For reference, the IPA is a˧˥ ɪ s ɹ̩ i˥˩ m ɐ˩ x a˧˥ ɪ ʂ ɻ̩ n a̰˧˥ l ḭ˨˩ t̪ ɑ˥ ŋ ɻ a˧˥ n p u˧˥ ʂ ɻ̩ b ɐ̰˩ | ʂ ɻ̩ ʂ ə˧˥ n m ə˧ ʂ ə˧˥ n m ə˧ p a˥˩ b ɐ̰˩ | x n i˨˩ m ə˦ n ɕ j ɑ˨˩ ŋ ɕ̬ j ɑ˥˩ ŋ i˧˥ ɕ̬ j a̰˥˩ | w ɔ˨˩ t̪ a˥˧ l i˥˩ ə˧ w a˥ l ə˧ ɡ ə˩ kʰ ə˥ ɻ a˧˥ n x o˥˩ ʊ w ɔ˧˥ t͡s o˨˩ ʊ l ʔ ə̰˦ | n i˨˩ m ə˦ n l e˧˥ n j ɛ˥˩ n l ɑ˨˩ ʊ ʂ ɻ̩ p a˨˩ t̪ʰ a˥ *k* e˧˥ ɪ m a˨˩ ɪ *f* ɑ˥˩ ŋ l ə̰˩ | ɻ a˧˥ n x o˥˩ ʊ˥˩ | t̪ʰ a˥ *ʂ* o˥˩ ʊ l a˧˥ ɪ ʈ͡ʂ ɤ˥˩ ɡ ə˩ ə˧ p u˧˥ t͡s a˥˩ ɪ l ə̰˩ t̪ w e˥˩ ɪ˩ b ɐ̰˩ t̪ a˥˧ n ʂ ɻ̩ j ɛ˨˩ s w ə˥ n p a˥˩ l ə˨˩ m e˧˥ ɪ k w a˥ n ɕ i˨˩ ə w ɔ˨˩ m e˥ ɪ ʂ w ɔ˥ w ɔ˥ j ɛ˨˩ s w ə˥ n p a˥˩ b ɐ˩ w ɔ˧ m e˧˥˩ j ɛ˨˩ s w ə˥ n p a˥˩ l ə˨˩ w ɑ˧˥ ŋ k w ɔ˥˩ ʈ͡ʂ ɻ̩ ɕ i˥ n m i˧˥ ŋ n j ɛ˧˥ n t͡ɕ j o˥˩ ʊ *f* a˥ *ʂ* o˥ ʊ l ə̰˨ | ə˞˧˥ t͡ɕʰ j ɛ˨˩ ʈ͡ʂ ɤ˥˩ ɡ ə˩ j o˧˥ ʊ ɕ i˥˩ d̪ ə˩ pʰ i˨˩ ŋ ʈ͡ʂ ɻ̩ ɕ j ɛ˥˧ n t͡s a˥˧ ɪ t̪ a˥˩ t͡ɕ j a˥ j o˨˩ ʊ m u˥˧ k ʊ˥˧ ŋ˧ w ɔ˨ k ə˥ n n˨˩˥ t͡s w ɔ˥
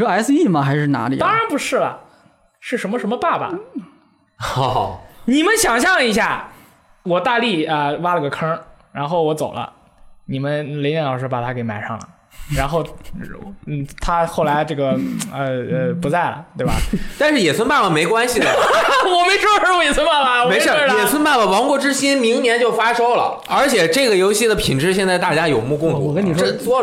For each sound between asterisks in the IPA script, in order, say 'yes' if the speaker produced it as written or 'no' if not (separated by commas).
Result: yes, no, no, yes, yes